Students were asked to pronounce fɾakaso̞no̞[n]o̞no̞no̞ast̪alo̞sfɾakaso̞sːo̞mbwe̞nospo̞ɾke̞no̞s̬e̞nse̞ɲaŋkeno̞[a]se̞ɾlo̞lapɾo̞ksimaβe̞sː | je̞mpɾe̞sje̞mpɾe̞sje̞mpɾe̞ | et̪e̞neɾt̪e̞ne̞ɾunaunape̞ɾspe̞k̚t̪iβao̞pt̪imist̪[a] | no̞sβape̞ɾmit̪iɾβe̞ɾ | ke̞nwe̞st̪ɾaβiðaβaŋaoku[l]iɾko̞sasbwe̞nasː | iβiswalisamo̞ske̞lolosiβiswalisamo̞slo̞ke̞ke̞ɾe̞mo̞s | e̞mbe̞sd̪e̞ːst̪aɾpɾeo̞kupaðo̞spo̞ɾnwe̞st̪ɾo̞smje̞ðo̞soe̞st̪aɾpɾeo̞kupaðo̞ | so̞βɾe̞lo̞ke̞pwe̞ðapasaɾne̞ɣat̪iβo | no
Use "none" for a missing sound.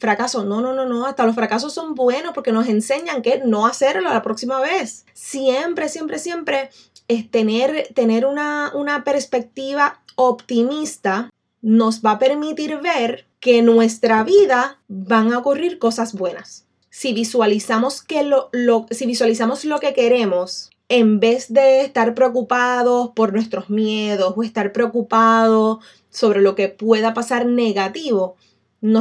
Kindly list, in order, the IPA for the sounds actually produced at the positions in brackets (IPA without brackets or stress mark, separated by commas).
n, a, a, r